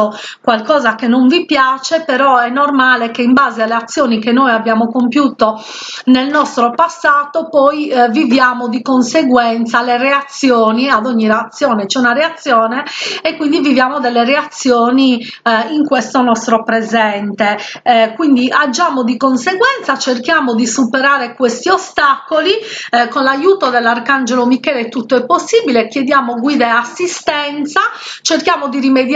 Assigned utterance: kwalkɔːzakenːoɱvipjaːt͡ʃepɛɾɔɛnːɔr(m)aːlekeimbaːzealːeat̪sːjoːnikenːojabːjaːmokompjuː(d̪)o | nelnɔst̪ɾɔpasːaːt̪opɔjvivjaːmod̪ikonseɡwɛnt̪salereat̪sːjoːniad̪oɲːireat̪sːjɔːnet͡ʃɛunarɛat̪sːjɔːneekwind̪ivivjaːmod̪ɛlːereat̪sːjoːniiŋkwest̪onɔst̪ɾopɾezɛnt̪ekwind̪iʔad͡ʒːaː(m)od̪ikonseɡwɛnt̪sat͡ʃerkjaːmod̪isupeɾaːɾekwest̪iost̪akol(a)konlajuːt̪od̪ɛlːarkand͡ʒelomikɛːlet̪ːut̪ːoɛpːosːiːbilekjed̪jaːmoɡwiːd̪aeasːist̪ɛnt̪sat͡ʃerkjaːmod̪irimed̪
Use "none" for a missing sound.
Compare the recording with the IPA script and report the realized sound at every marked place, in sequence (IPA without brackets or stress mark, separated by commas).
m, t̪, m, i